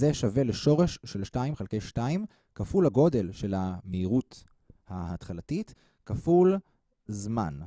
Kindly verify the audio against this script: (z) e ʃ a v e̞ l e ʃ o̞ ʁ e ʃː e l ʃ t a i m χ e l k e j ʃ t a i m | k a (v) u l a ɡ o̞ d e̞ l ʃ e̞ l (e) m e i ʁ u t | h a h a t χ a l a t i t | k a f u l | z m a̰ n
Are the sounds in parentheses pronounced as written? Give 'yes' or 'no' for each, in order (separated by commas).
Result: yes, no, no